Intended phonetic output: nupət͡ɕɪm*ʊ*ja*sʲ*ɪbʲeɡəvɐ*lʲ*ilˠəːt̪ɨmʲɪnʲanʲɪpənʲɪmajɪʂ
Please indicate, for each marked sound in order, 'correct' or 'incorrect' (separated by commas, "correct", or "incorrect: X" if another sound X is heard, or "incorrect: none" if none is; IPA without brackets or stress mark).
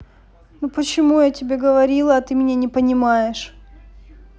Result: incorrect: u, incorrect: tʲ, incorrect: ɾʲ